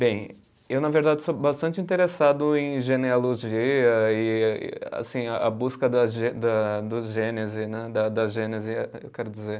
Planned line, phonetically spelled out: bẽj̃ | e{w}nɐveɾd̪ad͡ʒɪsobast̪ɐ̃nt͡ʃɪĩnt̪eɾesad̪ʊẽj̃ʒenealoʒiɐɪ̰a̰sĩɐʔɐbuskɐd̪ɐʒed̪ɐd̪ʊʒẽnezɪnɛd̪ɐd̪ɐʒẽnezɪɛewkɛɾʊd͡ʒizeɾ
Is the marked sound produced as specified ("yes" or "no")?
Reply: yes